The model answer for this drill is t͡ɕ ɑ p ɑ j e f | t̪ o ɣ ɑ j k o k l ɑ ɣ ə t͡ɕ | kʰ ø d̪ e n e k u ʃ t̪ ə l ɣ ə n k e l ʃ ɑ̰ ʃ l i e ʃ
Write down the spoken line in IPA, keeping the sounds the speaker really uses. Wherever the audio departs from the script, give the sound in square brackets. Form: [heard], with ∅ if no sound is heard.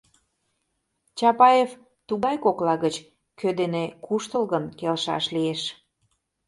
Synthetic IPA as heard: t͡ɕ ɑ p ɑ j e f | t̪ [u] ɣ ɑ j k o k l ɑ ɣ ə t͡ɕ | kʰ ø d̪ e n e k u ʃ t̪ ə l ɣ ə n k e l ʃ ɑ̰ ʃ l i e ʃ